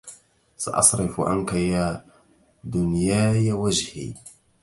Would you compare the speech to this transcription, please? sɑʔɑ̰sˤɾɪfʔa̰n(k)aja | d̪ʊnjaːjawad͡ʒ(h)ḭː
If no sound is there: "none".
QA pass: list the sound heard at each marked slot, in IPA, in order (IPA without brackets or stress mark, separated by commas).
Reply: k, h